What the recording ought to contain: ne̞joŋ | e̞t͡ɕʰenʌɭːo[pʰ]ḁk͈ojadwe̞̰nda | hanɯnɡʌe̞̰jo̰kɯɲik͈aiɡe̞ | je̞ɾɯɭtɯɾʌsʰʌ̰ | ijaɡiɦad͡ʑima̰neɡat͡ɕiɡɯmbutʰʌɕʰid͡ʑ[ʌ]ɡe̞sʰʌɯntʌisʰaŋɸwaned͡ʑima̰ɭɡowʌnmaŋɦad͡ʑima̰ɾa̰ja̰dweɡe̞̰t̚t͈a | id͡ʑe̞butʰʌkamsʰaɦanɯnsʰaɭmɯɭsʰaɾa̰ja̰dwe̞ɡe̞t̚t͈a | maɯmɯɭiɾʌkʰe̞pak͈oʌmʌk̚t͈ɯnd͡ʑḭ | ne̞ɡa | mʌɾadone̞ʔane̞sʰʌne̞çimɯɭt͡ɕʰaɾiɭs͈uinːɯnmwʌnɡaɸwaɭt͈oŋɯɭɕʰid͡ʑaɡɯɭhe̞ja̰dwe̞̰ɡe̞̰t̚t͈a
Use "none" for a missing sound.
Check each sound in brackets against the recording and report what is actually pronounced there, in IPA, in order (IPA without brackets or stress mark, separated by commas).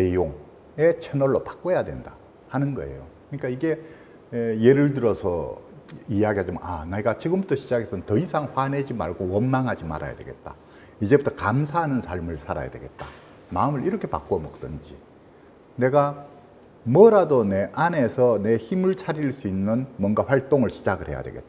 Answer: p, a